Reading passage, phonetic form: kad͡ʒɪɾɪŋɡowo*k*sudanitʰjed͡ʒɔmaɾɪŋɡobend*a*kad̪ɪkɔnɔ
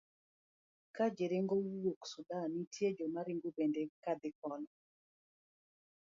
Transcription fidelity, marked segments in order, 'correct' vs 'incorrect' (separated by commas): correct, incorrect